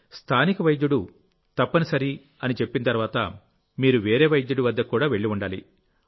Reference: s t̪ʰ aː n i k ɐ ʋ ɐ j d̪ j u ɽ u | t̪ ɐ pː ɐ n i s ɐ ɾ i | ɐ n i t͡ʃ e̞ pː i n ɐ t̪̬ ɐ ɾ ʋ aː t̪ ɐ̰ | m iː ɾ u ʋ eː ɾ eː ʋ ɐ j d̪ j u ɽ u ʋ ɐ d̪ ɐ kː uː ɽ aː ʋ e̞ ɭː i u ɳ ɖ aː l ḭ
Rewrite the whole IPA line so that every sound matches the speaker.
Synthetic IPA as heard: s t̪ʰ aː n i k ɐ ʋ ɐ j d̪ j u ɽ u | t̪ ɐ pː ɐ n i s ɐ ɾ i | ɐ n i t͡ʃ e̞ pː i n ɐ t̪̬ ɐ ɾ ʋ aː t̪ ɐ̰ | m iː ɾ u ʋ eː ɾ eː ʋ ɐ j d̪ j u ɽ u ʋ ɐ d̪ː ɐ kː uː ɽ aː ʋ e̞ ɭː i u ɳ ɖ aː l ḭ